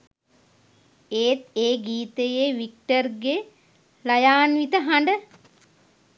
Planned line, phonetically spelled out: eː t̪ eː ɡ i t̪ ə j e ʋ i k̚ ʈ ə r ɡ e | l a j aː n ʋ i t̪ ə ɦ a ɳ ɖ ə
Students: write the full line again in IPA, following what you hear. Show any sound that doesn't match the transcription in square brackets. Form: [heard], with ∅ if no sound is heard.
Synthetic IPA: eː t̪ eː ɡ [iː] t̪ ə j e ʋ i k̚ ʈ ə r ɡ e | l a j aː n ʋ i t̪ ə ɦ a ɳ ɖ ə